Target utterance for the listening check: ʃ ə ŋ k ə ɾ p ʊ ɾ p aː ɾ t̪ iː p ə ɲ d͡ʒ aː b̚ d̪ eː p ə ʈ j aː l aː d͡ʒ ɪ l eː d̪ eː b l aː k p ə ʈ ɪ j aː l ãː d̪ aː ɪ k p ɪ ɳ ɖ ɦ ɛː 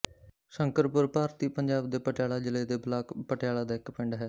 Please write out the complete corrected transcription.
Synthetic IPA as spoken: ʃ ə ŋ k ə ɾ p ʊ ɾ p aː ɾ t̪ iː p ə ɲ d͡ʒ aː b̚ d̪ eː p ə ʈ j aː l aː d͡ʒ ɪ l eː d̪ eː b l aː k p ə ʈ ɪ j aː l aː d̪ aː ɪ k p ɪ ɳ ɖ ɦ ɛː